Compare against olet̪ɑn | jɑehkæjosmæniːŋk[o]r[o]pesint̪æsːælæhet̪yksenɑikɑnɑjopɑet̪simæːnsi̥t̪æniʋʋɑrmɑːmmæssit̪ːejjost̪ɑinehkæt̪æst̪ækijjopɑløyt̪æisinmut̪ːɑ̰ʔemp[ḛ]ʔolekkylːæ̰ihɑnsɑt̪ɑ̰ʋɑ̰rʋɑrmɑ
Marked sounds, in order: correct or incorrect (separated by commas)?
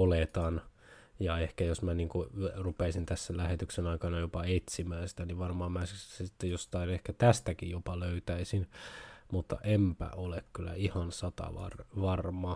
incorrect, incorrect, incorrect